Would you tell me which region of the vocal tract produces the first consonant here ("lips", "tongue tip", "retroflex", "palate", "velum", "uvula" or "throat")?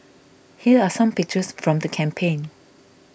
throat